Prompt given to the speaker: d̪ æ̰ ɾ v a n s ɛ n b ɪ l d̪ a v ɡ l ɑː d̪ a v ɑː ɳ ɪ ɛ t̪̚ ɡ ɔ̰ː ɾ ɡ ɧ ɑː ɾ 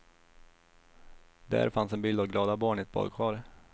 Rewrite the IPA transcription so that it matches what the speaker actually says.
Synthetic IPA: d̪ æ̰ ɾ f a n s ɛ n b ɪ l d̪ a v ɡ l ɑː d̪ a b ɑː ɳ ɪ ɛ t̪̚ b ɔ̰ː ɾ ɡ ɧ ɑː ɾ